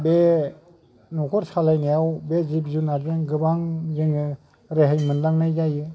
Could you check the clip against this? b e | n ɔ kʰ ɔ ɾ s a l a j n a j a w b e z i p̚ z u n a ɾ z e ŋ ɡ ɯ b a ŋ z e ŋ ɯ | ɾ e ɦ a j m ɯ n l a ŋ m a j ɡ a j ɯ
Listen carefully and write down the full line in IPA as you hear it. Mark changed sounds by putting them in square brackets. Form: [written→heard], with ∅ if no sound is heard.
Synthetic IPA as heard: b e | n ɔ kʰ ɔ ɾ s a l a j n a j a w b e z i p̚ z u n a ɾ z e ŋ ɡ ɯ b a ŋ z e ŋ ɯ | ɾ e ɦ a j m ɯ n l a ŋ [m→n] a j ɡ a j ɯ